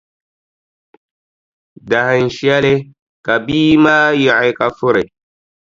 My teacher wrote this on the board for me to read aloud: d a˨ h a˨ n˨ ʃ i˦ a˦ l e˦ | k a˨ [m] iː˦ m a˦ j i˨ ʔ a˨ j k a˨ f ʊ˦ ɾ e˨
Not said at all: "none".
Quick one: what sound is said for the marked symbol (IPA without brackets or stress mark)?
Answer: b